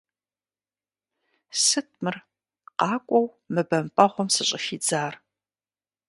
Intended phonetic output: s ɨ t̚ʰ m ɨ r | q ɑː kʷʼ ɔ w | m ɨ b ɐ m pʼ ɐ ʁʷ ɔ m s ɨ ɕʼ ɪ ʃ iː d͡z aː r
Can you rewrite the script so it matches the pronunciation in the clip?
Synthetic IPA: s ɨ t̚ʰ m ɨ r | q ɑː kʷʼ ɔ w | m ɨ b ɐ m pʼ ɐ ʁʷ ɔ m s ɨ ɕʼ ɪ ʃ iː d͡z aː r